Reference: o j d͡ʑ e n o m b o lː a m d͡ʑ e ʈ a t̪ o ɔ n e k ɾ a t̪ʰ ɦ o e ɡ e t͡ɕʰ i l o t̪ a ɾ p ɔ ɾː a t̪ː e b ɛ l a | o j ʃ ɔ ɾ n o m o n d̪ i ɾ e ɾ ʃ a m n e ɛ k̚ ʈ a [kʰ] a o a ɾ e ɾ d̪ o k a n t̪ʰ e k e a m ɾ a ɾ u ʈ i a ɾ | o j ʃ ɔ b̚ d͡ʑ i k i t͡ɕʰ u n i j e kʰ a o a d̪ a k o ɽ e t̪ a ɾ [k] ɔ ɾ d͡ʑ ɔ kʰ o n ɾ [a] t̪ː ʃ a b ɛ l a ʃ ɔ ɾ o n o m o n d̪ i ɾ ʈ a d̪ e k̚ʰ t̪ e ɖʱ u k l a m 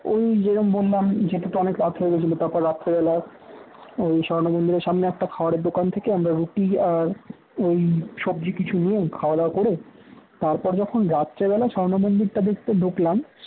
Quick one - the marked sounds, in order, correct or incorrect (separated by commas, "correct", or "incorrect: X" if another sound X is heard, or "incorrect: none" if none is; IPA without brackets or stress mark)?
correct, incorrect: p, correct